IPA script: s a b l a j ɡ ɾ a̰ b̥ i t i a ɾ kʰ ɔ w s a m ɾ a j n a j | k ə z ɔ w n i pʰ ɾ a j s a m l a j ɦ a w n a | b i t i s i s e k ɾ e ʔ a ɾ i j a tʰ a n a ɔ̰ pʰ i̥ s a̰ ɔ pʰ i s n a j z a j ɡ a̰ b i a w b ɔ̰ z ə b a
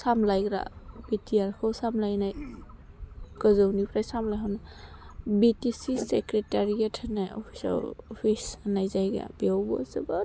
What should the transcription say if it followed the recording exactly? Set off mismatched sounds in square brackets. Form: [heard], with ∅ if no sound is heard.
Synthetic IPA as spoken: s a [m] l a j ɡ ɾ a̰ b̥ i t i a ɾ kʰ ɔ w s a m [l] a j n a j | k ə z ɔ w n i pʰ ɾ a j s a m l a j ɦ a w n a | b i t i s i s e k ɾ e [t] a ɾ i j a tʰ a n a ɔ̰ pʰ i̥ s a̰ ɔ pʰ i s n a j z a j ɡ a̰ b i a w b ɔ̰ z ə b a

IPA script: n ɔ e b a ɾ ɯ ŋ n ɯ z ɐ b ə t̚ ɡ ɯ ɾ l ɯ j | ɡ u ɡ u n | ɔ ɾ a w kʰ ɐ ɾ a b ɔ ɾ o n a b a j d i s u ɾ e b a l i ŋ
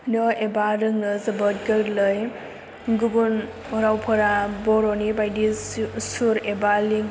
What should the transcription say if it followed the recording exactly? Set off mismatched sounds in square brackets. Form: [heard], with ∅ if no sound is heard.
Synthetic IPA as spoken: n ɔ e b a ɾ ɯ ŋ n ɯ z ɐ b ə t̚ ɡ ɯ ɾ l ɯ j | ɡ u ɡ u n | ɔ ɾ a w [pʰ] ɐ ɾ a b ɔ ɾ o n [i] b a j d i s u ɾ e b a l i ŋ

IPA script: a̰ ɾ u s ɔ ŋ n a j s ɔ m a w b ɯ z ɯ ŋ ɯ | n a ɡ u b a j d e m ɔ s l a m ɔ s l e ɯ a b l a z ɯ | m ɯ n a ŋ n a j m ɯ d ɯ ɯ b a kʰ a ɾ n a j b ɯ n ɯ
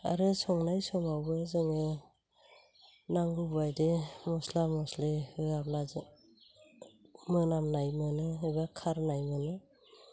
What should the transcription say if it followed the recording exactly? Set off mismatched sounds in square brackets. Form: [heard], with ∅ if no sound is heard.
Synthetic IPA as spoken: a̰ ɾ [ɯ] s ɔ ŋ n a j s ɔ m a w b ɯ z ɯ ŋ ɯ | n a [ŋ] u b a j d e m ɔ s l a m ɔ s l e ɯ a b l a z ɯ | m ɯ n a [m] n a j m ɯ [n] ɯ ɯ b a kʰ a ɾ n a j [m] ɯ n ɯ

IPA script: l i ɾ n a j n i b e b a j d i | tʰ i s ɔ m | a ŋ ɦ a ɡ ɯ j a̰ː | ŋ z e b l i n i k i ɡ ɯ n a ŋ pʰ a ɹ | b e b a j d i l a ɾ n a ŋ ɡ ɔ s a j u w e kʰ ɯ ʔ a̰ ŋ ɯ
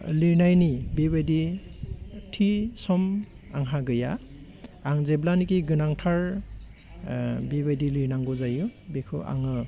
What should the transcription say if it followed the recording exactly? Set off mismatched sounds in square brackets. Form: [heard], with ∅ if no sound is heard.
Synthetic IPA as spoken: l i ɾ n a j n i b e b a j d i | tʰ i s ɔ m | a ŋ ɦ a ɡ ɯ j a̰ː | ŋ z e b l [a] n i k i ɡ ɯ n a ŋ [tʰ] a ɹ | b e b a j d i l [i] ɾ n a ŋ ɡ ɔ [z] a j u [b] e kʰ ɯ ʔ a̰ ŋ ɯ

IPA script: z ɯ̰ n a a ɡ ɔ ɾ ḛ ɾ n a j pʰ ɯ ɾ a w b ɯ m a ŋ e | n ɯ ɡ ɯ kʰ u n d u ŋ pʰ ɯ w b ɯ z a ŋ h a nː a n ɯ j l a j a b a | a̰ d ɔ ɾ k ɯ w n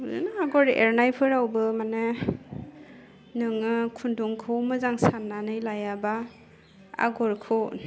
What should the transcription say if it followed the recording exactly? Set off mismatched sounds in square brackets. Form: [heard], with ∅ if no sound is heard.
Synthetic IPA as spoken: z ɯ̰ n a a ɡ ɔ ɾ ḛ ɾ n a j pʰ ɯ ɾ a w b ɯ m a [n] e | n ɯ [ŋ] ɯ kʰ u n d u ŋ [kʰ] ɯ w [m] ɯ z a ŋ [s] a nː a n ɯ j l a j a b a | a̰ [ɡ] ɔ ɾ [kʰ] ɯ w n

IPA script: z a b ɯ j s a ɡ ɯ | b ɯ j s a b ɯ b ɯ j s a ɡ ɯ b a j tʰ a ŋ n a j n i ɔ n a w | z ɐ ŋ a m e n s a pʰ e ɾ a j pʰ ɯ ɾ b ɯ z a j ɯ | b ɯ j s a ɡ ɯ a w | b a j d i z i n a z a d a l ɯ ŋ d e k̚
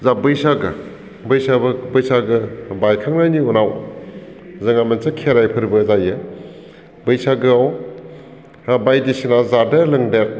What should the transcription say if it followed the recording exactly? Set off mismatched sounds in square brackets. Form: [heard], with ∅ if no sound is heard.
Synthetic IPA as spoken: z a b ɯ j s a ɡ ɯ | b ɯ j s a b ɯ b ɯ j s a ɡ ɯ b a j [kʰ] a ŋ n a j n i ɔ n a w | z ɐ ŋ a m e n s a [kʰ] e ɾ a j pʰ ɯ ɾ b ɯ z a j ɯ | b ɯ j s a ɡ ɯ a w | b a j d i [s] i n a z a d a l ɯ ŋ d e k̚

